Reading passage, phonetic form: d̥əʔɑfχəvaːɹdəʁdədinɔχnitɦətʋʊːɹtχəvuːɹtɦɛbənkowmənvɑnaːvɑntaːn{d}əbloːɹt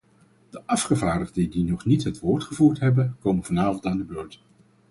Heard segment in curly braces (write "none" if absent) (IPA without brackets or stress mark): d